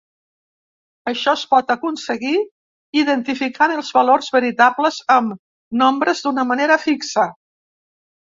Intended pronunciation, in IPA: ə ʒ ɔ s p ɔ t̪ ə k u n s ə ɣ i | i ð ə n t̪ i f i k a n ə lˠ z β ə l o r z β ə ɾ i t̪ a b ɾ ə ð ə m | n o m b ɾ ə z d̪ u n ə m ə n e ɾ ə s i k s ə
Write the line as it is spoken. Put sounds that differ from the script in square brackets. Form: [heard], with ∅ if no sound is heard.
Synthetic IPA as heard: ə [ʃ] ɔ s p ɔ t̪ ə k u n s ə ɣ i | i ð ə n t̪ i f i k a n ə lˠ z β ə l o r z β ə ɾ i t̪ a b [l] ə [z] ə m | n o m b ɾ ə z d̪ u n ə m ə n e ɾ ə [f] i k s ə